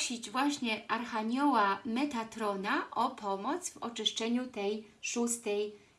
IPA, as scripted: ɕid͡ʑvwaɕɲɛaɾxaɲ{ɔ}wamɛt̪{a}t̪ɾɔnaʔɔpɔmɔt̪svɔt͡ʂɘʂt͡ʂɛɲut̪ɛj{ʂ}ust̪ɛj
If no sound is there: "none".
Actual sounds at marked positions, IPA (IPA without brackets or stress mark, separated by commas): ɔ, a, ʂ